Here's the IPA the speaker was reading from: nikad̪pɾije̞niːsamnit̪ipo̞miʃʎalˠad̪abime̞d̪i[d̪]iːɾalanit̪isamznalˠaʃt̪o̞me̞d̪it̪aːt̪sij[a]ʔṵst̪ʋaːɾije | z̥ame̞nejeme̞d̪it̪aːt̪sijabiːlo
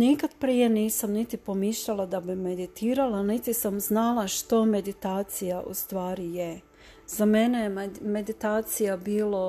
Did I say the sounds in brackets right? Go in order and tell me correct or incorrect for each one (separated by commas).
incorrect, correct